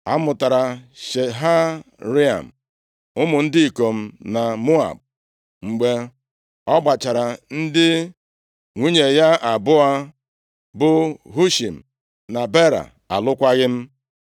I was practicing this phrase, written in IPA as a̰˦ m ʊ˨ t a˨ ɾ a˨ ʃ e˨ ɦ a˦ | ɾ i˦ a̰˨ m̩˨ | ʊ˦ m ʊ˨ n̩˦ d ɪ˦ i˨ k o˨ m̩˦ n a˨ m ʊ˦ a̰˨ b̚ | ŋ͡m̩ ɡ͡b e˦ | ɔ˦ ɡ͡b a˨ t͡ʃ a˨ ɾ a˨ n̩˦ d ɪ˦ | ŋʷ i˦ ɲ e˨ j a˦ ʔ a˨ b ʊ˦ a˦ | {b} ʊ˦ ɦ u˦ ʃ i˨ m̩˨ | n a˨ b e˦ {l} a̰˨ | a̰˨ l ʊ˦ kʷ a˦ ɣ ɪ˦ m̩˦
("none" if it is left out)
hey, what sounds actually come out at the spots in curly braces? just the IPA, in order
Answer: b, ɾ

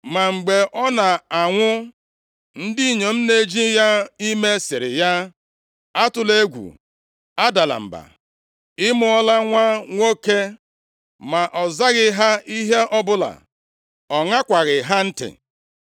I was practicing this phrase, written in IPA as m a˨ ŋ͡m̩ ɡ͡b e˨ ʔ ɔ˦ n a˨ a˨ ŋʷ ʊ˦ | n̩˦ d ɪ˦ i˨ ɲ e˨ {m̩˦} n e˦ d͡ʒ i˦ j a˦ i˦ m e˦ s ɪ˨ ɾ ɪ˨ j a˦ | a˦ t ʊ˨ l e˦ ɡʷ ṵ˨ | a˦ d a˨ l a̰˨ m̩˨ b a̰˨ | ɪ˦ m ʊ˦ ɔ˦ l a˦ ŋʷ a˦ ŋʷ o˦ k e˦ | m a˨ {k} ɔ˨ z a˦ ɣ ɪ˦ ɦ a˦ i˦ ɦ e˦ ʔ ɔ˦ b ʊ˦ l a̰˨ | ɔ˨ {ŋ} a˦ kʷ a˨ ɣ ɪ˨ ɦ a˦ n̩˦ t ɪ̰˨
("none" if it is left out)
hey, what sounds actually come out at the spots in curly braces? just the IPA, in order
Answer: m̩˦, ʔ, ŋ

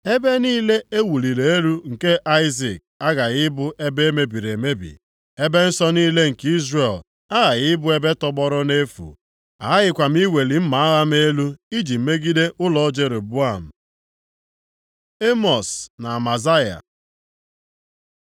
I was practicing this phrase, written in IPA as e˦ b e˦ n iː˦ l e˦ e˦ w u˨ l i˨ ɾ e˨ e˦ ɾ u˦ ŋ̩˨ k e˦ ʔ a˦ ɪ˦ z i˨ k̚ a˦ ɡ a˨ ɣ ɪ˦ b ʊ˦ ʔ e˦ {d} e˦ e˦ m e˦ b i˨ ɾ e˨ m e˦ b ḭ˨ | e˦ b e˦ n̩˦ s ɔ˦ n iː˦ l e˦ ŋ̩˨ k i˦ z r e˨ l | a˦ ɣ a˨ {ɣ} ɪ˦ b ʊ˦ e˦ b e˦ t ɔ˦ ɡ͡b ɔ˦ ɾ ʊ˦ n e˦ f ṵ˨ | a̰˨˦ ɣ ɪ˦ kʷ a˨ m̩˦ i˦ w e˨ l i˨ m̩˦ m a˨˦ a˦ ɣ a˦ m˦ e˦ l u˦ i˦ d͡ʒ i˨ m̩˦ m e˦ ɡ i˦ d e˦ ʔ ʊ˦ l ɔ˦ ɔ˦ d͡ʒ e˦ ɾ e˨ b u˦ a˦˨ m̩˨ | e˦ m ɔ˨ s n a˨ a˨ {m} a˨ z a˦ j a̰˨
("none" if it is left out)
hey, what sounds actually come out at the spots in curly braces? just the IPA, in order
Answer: b, ɣ, m

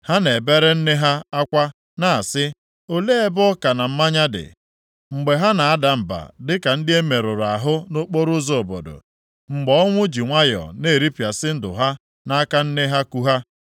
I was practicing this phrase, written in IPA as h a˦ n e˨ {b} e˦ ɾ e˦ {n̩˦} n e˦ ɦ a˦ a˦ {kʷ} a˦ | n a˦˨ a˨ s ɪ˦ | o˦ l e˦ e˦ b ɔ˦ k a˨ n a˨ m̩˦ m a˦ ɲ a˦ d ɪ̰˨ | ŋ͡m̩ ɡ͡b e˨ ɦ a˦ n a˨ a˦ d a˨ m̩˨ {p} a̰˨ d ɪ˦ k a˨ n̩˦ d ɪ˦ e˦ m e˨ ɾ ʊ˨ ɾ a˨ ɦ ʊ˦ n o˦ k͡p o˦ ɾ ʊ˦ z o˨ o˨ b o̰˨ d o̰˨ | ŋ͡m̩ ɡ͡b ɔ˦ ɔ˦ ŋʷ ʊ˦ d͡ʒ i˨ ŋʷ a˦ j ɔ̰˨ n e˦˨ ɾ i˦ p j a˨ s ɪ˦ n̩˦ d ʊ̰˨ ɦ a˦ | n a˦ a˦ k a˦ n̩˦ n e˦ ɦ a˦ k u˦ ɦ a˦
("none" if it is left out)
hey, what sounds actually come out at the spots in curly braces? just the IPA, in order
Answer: b, n̩˦, kʷ, b

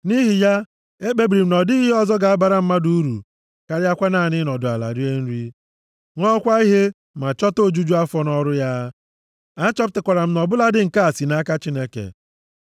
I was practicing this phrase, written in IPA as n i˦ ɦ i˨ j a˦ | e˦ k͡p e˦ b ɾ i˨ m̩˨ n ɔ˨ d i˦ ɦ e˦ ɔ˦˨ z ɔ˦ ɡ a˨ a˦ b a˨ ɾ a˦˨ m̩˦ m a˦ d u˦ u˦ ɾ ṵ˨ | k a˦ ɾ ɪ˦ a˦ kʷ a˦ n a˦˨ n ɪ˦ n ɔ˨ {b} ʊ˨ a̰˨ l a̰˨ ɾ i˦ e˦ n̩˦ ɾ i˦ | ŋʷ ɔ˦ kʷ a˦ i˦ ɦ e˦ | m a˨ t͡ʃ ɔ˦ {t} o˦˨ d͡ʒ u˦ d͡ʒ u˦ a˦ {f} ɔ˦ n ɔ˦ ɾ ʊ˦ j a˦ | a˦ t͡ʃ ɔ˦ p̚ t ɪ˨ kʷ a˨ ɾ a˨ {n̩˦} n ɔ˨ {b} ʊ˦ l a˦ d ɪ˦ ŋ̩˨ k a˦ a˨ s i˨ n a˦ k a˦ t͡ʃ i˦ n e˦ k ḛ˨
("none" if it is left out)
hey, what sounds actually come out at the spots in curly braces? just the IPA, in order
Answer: d, t, f, m̩˦, b

